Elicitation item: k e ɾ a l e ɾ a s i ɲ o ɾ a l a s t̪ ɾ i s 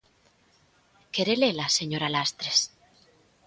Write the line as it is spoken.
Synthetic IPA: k e ɾ e l e l a s e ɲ o ɾ a l a s t̪ ɾ e s